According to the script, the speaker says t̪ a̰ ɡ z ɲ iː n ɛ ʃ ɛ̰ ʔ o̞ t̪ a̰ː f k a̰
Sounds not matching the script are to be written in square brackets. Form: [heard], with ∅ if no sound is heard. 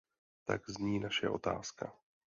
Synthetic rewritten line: t̪ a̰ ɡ z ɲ iː n [a] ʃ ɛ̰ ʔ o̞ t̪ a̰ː [s] k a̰